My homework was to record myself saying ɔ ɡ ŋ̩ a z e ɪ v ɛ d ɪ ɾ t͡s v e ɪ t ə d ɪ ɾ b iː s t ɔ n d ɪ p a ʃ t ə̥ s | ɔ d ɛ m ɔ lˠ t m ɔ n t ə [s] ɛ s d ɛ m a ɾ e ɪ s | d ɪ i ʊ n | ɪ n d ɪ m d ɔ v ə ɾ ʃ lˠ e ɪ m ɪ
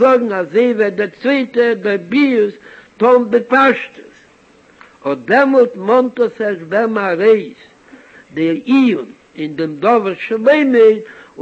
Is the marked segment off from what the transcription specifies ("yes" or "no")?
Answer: no